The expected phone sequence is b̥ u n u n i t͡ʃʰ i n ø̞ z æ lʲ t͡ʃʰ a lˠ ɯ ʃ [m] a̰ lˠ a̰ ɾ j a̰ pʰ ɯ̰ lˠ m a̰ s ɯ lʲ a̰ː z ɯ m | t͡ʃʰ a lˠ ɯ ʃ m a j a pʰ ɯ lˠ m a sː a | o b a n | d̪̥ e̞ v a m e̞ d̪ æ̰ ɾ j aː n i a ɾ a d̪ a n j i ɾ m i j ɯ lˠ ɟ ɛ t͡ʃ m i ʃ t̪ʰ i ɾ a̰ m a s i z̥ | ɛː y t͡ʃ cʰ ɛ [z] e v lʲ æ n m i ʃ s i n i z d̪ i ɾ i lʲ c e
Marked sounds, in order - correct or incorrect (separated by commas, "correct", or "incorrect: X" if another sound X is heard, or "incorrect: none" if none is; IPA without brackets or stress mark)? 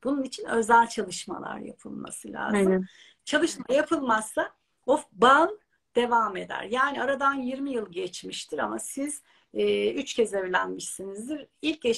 correct, correct